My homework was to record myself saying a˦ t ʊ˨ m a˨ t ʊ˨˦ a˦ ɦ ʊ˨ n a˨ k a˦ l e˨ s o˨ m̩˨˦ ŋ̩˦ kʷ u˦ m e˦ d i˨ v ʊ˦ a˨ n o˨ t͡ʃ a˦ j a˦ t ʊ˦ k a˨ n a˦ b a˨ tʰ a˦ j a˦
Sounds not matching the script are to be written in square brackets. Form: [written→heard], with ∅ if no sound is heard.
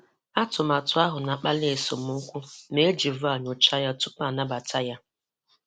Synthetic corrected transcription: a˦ t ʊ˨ m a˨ t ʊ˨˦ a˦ ɦ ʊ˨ n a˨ [k→k͡p] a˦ l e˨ s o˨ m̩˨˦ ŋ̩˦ kʷ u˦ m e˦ [d→d͡ʒ] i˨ v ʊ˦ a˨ [n→ɲ] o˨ t͡ʃ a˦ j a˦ t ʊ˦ [k→p] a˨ n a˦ b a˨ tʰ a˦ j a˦